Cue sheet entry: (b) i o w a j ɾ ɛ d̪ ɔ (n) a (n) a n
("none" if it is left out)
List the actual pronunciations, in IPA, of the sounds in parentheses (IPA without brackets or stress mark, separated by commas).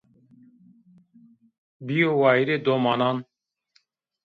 b, m, n